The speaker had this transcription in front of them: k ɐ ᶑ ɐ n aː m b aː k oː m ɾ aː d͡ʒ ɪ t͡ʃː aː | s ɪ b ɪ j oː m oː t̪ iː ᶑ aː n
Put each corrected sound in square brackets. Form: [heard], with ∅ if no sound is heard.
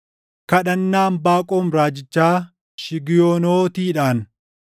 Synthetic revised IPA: k ɐ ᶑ ɐ [nː] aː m b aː [kʼ] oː m ɾ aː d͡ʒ ɪ t͡ʃː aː | [ʃ] ɪ [ɡ] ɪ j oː [n] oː t̪ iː ᶑ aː n